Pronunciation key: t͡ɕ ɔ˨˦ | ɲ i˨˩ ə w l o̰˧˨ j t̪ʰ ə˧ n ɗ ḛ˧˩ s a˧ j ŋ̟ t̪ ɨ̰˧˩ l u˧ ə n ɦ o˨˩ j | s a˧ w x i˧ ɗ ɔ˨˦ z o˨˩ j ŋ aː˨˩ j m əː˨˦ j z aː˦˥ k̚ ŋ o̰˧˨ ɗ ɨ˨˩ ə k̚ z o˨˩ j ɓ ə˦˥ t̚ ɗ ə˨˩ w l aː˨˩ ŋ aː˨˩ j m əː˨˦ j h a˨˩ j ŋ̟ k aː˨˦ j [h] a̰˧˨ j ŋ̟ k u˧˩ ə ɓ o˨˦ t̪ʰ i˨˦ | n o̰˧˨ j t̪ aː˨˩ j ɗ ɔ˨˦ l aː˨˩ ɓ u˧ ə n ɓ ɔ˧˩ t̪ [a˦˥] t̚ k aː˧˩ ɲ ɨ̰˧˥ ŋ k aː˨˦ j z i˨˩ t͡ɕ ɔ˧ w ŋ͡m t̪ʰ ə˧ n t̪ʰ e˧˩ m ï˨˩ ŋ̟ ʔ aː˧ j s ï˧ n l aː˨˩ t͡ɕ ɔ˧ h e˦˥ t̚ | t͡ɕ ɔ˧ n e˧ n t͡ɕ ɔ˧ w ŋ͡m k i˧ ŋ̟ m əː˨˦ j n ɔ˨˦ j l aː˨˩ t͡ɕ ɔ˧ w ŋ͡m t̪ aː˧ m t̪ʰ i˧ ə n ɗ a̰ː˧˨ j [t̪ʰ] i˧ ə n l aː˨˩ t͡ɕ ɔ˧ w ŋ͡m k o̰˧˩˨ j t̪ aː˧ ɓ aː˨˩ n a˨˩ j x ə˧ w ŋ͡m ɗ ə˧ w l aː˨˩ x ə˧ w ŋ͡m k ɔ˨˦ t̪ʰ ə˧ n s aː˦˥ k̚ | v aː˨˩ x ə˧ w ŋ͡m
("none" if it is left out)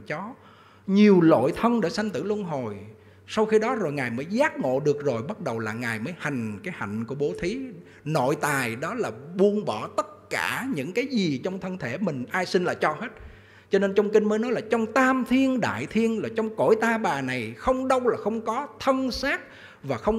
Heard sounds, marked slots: h, ə˦˥, t̪ʰ

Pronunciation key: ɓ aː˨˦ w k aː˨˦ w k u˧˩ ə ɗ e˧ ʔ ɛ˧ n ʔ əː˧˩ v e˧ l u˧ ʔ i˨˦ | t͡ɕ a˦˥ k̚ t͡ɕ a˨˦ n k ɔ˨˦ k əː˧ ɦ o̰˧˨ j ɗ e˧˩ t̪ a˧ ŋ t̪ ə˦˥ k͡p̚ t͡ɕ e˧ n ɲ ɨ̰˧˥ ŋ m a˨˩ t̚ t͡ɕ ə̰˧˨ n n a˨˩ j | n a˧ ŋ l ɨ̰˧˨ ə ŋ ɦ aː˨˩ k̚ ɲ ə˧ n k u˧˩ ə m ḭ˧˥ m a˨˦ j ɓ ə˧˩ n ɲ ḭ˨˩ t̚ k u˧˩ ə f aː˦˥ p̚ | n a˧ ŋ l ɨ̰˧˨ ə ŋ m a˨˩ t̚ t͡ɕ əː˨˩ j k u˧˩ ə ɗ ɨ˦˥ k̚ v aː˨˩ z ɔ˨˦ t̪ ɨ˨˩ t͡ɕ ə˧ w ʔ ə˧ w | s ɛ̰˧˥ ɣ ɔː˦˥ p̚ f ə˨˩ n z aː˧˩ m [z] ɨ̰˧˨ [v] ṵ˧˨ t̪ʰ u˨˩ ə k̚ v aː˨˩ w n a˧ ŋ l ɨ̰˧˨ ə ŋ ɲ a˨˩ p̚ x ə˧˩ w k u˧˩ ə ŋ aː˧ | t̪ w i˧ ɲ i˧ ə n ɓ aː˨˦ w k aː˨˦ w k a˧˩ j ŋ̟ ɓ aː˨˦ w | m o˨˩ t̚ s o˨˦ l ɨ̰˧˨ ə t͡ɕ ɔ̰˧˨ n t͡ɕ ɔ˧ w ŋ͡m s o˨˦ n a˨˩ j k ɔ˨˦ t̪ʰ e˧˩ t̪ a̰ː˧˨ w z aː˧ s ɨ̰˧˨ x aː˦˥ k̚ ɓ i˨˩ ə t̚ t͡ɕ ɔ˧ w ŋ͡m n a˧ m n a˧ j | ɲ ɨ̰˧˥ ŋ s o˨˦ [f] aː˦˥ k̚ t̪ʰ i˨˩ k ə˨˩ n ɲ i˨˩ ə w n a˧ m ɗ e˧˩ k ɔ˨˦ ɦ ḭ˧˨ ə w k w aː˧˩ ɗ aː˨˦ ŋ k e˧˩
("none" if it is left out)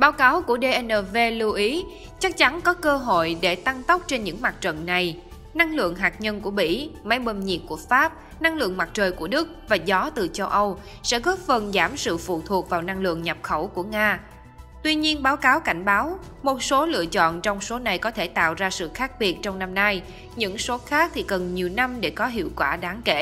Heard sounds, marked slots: s, f, x

